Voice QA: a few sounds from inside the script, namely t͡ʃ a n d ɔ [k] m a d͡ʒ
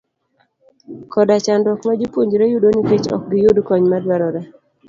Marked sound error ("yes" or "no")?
no